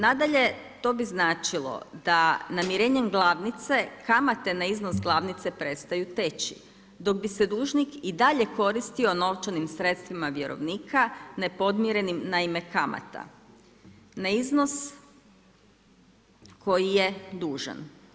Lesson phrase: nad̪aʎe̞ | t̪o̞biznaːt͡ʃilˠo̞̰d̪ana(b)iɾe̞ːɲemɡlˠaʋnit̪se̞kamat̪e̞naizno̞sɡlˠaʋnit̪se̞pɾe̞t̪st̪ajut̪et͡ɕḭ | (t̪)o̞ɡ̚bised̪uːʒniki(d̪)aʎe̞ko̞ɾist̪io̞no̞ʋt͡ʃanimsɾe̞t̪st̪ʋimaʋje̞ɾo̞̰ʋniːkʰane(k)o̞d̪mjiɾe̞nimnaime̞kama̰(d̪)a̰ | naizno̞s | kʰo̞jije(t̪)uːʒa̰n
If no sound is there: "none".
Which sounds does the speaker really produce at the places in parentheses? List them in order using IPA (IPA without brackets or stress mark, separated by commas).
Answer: m, d̪, d̪, p, t̪, d̪